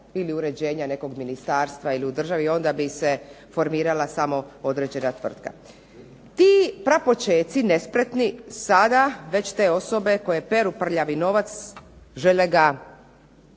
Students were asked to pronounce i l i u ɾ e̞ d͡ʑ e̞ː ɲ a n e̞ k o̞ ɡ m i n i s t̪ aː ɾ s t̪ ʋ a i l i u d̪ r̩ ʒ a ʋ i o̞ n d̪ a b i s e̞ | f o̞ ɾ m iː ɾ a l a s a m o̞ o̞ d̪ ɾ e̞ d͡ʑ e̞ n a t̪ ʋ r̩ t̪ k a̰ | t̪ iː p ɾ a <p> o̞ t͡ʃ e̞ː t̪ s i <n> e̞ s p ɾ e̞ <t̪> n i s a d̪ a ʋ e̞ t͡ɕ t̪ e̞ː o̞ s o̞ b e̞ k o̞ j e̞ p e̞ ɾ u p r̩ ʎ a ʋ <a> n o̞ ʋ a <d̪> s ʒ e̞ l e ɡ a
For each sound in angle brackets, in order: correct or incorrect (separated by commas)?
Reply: correct, correct, correct, incorrect, incorrect